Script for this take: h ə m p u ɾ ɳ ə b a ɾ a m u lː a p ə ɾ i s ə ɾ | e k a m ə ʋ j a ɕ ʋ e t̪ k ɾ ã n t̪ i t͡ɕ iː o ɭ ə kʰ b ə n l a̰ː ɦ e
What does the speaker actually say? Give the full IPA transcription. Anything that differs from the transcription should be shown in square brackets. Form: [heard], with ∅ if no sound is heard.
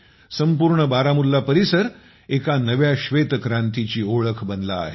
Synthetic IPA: [s] ə m p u ɾ ɳ ə b a ɾ a m u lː a p ə ɾ i s ə ɾ | e k a [n] ə ʋ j a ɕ ʋ e t̪ k ɾ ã n t̪ i t͡ɕ iː o ɭ ə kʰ b ə n l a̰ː ɦ e